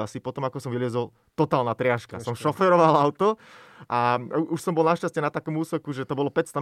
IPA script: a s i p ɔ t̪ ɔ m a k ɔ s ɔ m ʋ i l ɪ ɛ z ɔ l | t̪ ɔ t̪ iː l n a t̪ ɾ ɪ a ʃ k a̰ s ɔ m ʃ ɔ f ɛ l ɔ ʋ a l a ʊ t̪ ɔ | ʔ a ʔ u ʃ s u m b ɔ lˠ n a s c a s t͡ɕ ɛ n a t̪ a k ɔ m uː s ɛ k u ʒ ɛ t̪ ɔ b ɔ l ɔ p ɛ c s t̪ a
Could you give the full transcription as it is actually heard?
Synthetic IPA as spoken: a s i p ɔ t̪ ɔ m a k ɔ s ɔ m ʋ i l ɪ ɛ z ɔ l | t̪ ɔ t̪ aː l n a t̪ ɾ ɪ a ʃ k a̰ s ɔ m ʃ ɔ f ɛ ɾ ɔ ʋ a l a ʊ t̪ ɔ | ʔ a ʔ u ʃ s ɔ m b ɔ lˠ n a ʃ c a s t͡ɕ ɛ n a t̪ a k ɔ m uː s ɛ k u ʒ ɛ t̪ ɔ b ɔ l ɔ p ɛ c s t̪ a